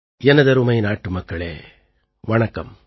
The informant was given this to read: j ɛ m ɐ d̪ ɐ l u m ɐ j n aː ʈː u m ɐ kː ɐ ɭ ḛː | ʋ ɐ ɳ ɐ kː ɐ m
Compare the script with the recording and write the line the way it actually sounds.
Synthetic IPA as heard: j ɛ n ɐ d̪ ɐ ɾ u m ɐ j n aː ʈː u m ɐ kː ɐ ɭ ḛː | ʋ ɐ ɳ ɐ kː ɐ m